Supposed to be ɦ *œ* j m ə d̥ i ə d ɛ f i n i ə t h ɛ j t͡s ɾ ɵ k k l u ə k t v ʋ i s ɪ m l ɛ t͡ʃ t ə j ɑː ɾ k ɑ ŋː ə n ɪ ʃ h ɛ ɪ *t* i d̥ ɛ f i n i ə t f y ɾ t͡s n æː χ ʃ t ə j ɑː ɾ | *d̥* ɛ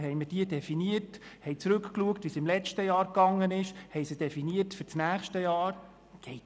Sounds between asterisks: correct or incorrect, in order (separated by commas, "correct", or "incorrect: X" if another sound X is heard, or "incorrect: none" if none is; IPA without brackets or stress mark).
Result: incorrect: ɛ, incorrect: s, incorrect: ɡ̥